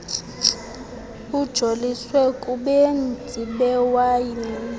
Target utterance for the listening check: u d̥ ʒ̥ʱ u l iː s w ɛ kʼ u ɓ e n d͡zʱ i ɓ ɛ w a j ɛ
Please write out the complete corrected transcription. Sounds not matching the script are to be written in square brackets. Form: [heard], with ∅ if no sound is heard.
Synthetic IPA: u d̥ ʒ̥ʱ [o] l [i] s w ɛ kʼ u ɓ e n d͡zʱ i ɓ ɛ w a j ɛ